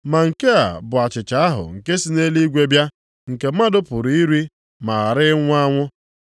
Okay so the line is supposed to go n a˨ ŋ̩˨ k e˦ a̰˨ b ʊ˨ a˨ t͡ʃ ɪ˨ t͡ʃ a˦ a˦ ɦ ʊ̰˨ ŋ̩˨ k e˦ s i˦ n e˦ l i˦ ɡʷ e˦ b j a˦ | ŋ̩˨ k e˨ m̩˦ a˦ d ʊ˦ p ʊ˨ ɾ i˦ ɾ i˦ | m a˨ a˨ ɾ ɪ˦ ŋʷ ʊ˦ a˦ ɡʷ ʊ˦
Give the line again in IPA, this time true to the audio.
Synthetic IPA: m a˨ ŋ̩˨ k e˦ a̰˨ b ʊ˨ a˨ t͡ʃ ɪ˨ t͡ʃ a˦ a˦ ɦ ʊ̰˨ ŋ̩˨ k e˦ s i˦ n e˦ l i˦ ɡʷ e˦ b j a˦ | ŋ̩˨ k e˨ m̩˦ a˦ d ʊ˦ p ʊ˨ ɾ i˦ ɾ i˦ | m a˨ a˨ ɾ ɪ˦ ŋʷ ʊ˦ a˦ ŋʷ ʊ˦